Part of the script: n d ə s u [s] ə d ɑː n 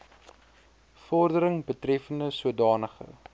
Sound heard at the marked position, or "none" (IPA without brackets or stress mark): none